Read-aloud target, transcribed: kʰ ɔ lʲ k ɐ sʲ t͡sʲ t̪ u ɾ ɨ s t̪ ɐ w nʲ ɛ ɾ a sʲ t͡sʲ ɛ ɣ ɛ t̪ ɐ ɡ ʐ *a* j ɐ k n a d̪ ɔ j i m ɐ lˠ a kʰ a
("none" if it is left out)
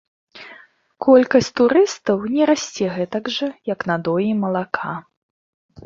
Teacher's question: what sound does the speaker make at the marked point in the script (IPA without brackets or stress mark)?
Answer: ɐ